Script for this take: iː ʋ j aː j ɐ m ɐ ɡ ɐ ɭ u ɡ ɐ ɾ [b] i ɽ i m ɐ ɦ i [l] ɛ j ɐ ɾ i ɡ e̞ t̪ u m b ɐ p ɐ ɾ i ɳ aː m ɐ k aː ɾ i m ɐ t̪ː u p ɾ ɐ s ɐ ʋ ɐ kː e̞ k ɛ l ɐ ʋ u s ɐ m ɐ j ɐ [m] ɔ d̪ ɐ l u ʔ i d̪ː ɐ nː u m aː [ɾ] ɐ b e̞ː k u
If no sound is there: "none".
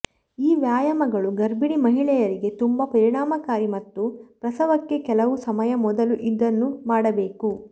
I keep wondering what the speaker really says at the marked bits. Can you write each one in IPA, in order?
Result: b, ɭ, m, ɽ

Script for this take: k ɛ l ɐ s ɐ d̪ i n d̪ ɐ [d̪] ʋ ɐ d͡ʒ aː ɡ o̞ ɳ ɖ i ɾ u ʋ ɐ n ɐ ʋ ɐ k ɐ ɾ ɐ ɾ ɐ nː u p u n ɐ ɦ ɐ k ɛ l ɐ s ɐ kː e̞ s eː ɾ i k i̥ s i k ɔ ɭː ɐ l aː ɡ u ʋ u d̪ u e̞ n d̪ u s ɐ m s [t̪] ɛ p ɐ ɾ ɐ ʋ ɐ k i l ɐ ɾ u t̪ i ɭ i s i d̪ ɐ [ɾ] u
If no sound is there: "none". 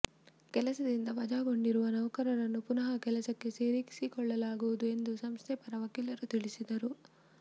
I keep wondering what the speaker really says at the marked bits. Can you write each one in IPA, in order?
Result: none, t̪ʰ, ɾ

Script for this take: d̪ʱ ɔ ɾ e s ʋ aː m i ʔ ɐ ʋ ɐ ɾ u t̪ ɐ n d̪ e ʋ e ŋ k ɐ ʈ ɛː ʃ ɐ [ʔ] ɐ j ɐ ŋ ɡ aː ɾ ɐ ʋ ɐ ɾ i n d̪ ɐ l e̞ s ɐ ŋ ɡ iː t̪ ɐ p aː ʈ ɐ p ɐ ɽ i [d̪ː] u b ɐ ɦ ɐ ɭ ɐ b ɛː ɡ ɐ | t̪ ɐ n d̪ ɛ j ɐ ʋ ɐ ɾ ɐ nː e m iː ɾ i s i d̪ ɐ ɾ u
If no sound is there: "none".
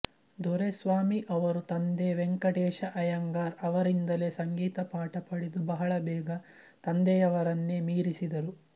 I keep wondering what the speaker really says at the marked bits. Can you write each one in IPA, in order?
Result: ʔ, d̪

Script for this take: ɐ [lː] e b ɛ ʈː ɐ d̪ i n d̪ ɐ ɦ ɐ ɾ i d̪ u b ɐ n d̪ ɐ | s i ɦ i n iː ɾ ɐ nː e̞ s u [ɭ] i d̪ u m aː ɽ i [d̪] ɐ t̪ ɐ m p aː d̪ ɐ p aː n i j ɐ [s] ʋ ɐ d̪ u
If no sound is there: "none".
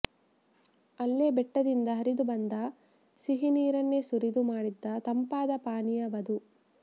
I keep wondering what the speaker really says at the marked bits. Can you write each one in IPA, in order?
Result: lː, ɾ, d̪ː, none

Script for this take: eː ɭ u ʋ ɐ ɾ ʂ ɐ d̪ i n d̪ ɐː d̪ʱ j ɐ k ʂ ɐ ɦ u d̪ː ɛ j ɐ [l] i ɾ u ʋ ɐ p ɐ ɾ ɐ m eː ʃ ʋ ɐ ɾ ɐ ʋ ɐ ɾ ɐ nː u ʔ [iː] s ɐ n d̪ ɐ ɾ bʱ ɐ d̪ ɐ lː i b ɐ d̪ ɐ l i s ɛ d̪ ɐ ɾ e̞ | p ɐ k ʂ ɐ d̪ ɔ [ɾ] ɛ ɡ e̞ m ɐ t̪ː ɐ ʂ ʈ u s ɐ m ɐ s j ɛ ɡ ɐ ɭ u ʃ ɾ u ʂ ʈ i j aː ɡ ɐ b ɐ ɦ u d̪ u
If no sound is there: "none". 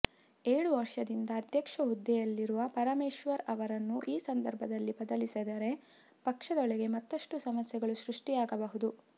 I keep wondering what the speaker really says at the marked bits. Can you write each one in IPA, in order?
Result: lː, iː, ɭ

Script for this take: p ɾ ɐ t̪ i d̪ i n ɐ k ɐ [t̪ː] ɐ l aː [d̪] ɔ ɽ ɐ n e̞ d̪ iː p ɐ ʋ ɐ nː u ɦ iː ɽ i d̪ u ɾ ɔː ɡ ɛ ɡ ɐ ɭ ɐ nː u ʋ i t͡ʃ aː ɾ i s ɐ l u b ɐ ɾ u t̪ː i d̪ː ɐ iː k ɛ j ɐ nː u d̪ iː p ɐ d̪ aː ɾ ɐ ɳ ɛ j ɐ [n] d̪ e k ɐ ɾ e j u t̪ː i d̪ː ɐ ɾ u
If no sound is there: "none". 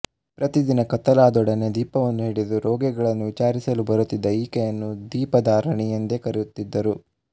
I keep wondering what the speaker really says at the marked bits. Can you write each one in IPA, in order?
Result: t̪ː, d̪, n

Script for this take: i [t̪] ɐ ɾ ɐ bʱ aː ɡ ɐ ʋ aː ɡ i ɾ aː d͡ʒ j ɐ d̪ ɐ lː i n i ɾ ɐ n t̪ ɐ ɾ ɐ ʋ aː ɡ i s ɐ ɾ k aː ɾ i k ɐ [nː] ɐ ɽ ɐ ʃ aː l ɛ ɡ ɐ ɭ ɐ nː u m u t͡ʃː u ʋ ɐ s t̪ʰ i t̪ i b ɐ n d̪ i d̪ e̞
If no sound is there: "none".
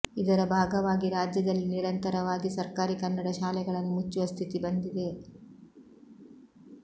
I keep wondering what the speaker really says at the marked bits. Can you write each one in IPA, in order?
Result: d̪, nː

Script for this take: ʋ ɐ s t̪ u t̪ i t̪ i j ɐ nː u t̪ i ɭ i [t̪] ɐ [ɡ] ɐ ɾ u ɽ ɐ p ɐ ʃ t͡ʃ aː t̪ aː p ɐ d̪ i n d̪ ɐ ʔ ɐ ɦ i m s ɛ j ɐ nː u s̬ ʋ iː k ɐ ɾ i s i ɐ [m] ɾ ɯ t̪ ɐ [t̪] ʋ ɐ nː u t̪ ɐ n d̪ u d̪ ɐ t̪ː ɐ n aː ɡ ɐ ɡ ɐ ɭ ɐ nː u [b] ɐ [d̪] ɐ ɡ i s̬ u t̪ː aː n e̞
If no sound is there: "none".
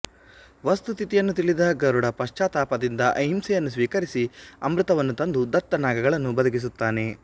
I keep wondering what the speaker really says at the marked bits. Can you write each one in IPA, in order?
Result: d̪, ɡ, m, none, b, d̪

